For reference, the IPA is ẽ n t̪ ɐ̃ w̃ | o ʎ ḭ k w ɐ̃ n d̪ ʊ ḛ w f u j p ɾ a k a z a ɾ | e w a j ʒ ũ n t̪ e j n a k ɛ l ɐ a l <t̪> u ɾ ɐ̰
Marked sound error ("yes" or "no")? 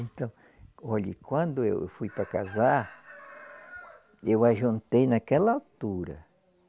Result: no